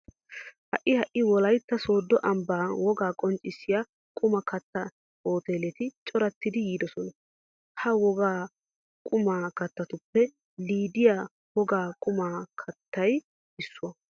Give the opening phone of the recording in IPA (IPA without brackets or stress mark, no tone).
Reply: h